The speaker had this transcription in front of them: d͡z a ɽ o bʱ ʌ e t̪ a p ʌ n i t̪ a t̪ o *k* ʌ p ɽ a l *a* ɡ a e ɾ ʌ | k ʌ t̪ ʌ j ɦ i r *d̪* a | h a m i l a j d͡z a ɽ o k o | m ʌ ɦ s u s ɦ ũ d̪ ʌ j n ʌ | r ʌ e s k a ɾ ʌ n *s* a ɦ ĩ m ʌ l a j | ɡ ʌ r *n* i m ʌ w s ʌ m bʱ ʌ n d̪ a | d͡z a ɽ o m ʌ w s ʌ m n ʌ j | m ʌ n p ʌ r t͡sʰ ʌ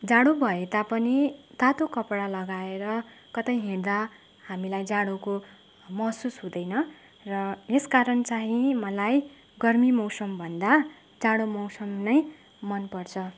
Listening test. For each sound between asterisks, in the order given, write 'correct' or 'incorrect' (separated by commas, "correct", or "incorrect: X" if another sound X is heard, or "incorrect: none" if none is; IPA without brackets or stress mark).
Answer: correct, incorrect: ʌ, correct, incorrect: t͡s, incorrect: m